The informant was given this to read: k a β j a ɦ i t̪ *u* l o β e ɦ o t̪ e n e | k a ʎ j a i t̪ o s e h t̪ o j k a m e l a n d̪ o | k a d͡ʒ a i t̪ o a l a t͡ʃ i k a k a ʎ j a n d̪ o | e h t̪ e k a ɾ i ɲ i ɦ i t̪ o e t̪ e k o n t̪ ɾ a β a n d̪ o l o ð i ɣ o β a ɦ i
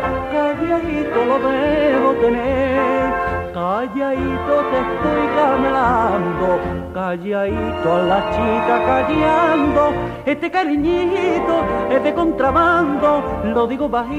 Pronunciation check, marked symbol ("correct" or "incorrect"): incorrect